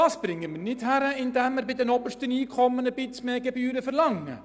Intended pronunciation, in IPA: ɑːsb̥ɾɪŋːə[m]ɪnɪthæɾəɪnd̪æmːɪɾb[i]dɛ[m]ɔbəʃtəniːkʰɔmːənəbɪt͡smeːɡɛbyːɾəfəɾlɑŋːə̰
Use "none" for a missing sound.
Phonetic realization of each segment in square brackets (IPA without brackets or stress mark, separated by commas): m, ɪ, n